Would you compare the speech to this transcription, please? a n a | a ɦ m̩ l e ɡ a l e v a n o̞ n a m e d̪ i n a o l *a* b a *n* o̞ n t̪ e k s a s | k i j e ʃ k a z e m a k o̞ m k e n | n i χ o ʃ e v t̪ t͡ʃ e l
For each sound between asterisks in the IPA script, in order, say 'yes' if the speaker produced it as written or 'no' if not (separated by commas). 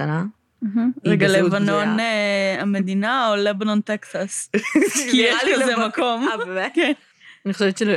no, yes